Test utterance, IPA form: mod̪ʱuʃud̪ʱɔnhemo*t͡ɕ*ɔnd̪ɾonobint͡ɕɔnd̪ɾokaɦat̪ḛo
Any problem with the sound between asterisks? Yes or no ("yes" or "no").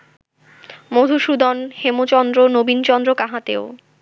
no